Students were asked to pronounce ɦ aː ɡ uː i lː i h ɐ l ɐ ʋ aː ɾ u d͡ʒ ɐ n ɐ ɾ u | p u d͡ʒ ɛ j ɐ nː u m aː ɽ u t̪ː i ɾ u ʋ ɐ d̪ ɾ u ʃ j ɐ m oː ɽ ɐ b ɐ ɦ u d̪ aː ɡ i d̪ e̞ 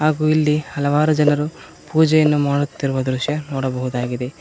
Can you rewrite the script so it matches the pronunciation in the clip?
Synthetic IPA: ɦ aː ɡ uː i lː i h ɐ l ɐ ʋ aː ɾ u d͡ʒ ɐ n ɐ ɾ u | p uː d͡ʒ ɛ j ɐ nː u m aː ɽ u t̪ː i ɾ u ʋ ɐ d̪ ɾ u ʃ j ɐ n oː ɽ ɐ b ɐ ɦ u d̪ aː ɡ i d̪ e̞